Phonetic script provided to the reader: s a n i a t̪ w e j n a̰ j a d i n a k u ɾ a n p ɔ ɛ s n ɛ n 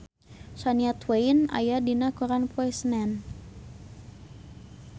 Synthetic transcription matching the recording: s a n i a t̪ w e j n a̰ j a d i n a k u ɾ a n p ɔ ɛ s n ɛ n